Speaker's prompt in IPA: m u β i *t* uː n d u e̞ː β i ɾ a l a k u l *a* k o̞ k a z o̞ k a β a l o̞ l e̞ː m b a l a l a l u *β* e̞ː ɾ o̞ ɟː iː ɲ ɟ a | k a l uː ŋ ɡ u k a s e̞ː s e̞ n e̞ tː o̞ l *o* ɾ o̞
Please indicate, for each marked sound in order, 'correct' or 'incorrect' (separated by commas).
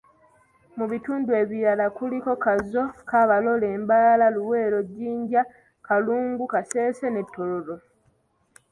correct, incorrect, incorrect, correct